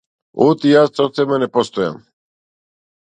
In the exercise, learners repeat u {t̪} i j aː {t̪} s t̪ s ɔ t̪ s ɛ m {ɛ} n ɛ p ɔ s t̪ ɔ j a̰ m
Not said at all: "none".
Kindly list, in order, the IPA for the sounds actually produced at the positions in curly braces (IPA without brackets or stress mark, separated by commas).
t̪, none, a